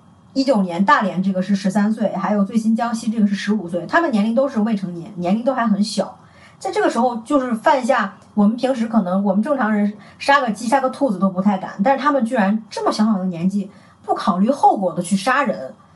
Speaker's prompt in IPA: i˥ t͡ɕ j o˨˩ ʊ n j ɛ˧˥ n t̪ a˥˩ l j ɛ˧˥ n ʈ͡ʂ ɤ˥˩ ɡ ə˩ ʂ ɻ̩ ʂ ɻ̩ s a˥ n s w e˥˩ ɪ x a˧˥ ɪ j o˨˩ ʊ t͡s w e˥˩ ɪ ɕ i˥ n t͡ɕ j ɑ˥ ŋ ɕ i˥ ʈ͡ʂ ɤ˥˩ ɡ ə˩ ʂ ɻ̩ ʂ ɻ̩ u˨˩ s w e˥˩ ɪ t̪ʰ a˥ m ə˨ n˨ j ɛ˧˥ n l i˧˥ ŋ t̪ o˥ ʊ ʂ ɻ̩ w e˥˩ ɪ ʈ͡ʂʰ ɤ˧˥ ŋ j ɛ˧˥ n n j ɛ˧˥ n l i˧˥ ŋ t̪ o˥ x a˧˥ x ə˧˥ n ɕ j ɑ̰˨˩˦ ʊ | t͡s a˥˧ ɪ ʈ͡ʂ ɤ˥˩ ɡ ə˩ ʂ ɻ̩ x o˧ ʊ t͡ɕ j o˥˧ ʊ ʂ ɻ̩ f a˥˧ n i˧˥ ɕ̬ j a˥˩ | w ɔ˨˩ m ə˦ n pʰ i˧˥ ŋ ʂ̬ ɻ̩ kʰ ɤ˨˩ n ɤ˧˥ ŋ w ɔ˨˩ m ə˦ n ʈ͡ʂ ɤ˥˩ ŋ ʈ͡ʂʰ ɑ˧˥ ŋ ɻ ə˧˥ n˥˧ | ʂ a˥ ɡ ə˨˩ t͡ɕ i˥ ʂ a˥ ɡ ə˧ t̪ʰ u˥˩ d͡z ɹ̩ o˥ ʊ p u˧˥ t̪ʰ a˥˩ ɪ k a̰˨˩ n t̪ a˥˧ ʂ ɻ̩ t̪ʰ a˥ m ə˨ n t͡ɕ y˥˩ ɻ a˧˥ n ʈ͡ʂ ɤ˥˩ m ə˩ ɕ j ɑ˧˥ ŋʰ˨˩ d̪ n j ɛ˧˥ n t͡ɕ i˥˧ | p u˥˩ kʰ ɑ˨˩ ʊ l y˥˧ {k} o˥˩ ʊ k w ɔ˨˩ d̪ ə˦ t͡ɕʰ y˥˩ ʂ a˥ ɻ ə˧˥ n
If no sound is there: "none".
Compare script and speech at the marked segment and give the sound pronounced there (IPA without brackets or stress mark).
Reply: x